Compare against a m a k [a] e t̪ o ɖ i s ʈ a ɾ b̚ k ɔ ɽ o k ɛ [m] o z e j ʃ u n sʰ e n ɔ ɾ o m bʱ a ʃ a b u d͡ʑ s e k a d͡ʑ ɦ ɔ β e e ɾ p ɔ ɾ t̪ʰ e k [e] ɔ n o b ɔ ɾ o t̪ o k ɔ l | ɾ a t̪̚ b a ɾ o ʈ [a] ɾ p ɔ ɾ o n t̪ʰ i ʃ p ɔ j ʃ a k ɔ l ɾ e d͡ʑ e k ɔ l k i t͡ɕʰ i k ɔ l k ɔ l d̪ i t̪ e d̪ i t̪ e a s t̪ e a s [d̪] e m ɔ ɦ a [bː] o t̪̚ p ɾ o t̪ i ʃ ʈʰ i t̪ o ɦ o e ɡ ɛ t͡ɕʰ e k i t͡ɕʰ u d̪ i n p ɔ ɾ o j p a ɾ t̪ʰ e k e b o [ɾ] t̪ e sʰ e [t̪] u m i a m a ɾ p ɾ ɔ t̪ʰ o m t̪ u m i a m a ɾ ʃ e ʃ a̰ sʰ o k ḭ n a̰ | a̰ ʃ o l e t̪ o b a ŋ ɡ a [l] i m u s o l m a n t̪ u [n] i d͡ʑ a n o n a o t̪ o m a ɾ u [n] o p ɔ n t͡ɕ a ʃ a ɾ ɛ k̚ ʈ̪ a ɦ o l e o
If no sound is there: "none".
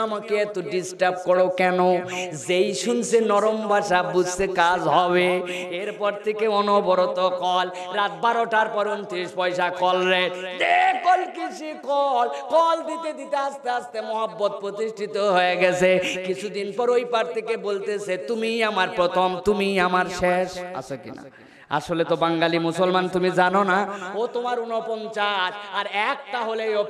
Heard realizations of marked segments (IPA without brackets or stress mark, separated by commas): e, n, e, a, t̪, bː, l, t̪, l, m, n